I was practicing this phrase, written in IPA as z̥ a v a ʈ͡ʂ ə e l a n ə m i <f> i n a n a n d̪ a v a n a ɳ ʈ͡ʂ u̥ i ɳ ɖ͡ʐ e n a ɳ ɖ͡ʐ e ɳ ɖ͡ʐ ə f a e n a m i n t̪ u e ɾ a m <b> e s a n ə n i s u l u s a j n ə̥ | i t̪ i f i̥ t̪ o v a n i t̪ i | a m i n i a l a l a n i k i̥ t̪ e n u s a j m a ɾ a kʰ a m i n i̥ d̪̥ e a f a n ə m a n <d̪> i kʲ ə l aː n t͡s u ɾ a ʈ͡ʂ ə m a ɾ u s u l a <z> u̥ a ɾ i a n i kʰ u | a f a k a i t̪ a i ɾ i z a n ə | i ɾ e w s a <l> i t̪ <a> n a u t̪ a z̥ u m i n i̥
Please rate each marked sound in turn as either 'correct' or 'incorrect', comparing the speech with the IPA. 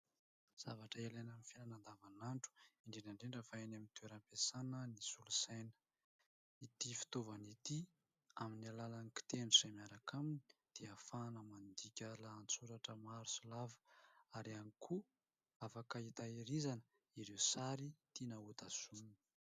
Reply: correct, incorrect: p, correct, incorrect: v, incorrect: ɾ, incorrect: i

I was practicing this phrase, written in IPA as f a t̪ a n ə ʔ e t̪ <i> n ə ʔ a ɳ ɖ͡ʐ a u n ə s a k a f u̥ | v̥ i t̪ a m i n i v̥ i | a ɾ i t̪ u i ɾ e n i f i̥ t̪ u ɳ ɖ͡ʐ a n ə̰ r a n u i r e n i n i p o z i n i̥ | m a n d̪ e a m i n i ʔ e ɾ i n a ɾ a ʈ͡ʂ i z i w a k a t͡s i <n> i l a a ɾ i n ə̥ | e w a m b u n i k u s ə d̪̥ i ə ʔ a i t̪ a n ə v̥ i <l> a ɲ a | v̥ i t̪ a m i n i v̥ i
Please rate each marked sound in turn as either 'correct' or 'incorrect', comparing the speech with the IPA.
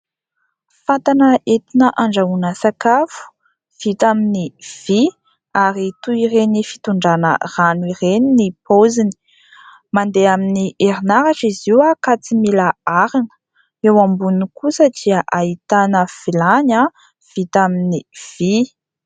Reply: correct, incorrect: m, correct

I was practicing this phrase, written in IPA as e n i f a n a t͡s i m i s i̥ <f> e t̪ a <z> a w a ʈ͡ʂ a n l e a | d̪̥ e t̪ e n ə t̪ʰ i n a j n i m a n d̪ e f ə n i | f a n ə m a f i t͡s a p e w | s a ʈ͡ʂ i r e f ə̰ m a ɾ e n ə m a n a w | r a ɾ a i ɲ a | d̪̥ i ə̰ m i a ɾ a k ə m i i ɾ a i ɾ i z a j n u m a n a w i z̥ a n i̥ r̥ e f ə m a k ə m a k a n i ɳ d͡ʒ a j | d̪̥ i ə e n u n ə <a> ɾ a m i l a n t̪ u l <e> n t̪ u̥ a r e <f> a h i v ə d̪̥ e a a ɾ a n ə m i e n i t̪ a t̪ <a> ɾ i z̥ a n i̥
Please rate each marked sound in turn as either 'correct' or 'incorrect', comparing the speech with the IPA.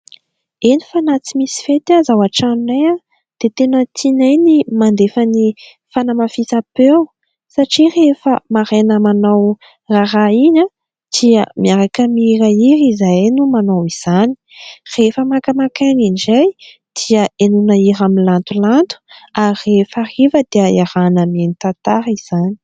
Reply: correct, correct, incorrect: i, incorrect: a, correct, correct

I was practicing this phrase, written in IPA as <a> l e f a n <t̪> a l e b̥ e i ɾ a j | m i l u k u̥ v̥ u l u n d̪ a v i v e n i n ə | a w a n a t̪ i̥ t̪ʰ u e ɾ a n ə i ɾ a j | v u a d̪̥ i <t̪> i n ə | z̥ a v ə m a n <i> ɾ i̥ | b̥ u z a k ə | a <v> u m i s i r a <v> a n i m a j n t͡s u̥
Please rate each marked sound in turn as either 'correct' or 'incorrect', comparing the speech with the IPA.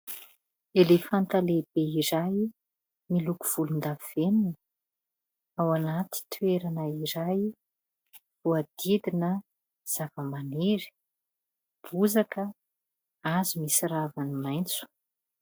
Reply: incorrect: e, correct, incorrect: d̪, incorrect: e, incorrect: z, correct

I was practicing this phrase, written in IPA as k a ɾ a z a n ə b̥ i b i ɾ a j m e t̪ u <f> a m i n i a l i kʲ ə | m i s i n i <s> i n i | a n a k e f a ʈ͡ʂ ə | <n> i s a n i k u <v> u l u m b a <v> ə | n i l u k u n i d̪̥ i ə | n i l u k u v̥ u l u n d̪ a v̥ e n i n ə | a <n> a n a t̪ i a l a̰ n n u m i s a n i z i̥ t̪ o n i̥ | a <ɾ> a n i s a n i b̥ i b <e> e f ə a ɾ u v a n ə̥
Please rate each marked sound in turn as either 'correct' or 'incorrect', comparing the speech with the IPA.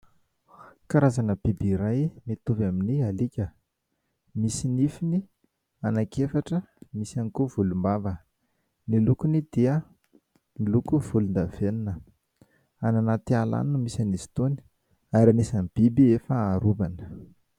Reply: incorrect: v, incorrect: f, incorrect: m, correct, correct, correct, correct, incorrect: i

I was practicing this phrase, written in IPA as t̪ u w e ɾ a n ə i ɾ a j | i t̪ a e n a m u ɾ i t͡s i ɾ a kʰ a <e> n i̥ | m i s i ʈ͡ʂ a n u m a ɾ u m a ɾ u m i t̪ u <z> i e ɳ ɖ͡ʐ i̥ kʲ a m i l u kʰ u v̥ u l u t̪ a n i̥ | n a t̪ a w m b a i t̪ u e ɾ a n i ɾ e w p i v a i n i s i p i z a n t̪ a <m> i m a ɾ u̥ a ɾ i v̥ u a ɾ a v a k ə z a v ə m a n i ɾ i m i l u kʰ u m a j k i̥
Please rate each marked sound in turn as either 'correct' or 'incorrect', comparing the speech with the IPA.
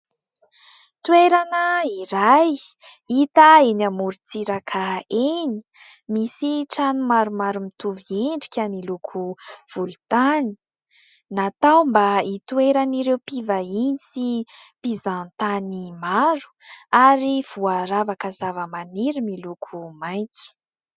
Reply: correct, incorrect: v, incorrect: n

